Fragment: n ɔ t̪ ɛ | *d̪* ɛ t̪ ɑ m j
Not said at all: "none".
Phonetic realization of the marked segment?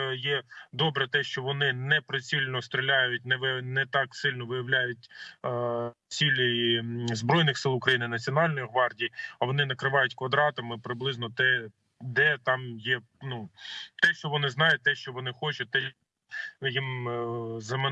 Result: d̪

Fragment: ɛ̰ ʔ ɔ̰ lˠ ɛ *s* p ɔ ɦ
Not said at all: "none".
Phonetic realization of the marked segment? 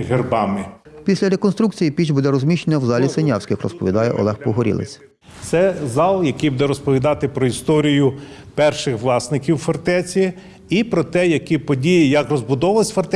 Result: x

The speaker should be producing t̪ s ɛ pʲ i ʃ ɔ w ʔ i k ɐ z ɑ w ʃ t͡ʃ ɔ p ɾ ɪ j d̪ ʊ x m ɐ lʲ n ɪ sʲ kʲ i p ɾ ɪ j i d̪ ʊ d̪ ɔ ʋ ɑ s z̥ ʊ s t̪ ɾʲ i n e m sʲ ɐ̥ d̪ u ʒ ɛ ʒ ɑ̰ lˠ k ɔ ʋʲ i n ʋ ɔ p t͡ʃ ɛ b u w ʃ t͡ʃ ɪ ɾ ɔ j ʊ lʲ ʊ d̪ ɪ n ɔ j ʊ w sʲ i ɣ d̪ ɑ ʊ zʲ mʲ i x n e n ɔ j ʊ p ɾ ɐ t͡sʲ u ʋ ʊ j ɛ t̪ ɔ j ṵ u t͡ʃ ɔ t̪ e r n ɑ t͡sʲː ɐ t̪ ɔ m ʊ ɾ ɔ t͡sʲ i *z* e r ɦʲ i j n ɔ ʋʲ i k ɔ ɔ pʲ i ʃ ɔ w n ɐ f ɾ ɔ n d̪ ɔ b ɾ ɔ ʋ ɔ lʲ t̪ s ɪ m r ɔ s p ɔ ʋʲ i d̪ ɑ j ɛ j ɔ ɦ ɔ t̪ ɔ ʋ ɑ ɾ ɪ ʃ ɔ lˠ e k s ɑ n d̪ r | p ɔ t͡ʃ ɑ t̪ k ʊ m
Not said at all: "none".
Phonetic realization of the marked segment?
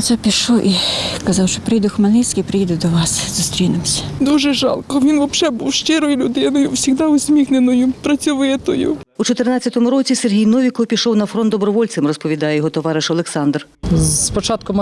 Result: s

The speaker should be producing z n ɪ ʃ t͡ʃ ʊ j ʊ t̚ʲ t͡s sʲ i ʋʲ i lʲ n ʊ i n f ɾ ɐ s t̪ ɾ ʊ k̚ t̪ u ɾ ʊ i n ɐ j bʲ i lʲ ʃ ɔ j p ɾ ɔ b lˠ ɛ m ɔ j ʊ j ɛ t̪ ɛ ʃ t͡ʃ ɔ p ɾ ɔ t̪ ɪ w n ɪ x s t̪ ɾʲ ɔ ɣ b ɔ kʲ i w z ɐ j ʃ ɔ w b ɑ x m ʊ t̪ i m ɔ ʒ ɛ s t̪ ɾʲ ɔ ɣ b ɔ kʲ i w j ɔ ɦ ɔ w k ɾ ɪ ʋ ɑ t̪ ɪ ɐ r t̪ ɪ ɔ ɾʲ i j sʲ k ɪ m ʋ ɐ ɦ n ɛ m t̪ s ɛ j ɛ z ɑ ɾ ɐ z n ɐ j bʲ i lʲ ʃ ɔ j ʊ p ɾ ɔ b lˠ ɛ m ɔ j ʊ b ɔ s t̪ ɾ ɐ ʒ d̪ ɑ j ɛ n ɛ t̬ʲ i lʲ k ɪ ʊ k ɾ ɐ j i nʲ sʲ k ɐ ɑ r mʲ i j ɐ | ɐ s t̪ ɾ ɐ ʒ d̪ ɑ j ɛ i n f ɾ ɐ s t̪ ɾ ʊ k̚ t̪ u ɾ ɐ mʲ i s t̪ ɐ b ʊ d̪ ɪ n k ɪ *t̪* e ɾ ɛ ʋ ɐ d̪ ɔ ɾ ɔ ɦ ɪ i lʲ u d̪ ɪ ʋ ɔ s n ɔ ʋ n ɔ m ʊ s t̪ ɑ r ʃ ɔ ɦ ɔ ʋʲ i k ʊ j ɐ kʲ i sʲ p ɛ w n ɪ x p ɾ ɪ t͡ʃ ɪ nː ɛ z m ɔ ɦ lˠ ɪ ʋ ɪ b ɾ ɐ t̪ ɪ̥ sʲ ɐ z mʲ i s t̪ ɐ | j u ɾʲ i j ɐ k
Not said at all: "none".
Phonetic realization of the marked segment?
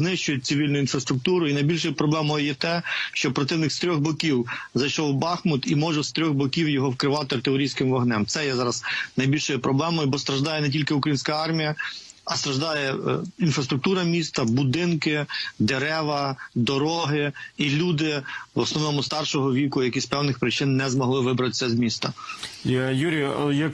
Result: d̪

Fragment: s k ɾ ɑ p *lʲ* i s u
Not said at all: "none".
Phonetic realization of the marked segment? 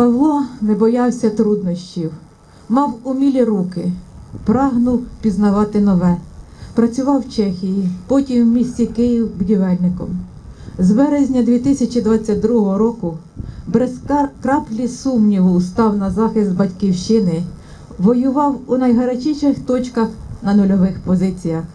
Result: lʲ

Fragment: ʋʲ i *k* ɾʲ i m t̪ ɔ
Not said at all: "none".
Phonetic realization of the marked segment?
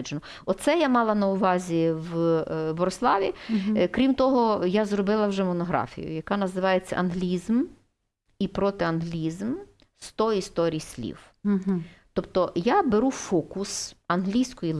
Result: k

